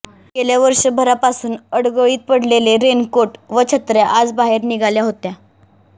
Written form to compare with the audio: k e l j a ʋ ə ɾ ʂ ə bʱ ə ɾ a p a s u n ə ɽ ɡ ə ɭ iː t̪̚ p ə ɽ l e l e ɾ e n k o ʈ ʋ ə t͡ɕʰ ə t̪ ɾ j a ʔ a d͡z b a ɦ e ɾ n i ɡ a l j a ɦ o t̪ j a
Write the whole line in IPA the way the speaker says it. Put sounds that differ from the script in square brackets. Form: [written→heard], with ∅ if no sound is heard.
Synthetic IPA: k e l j a ʋ ə ɾ ʂ ə bʱ ə ɾ a p a s [u→uː] n ə ɽ ɡ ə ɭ iː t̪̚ p ə ɽ l e l e ɾ e n k o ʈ ʋ ə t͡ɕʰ ə t̪ ɾ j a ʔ a d͡z b a ɦ e ɾ n i ɡ a l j a ɦ o t̪ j a